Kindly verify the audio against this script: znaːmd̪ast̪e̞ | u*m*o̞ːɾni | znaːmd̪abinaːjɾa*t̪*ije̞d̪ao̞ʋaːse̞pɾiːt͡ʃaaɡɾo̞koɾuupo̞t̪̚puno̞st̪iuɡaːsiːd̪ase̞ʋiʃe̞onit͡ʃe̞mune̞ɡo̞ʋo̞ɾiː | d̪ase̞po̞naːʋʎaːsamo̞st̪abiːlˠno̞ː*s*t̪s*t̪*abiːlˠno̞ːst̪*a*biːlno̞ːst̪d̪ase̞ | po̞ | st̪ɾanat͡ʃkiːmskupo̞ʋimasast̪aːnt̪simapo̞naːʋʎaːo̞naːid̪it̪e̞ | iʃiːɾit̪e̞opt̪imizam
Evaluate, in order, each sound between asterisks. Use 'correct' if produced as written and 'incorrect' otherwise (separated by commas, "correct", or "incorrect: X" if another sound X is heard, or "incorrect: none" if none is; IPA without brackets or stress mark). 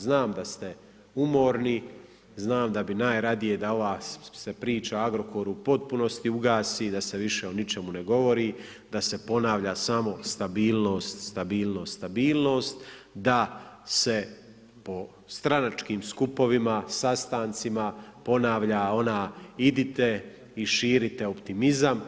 correct, incorrect: d̪, correct, correct, correct